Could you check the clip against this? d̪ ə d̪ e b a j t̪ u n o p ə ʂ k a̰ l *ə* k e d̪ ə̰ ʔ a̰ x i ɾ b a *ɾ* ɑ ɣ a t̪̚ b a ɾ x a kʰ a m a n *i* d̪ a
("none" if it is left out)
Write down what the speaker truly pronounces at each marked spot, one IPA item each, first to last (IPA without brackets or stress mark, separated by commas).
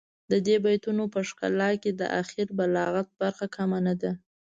ɑ, l, a